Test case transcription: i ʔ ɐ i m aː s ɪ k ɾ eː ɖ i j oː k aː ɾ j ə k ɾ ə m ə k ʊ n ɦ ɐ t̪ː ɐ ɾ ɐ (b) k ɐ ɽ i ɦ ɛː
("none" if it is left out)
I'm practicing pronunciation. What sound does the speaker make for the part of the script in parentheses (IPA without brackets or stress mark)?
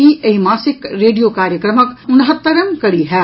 m